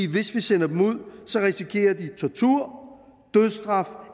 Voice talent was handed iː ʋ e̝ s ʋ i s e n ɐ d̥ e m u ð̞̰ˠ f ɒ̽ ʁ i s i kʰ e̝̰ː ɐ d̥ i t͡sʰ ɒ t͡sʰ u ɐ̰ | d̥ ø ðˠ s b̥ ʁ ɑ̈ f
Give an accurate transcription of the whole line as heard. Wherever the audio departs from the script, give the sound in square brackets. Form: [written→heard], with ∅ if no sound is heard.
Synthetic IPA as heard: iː ʋ e̝ s ʋ i s e n ɐ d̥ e m u ð̞̰ˠ [f→s] ɒ̽ ʁ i s i kʰ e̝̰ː ɐ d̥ i t͡sʰ ɒ t͡sʰ u ɐ̰ | d̥ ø ðˠ s [b̥→d̥] ʁ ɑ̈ f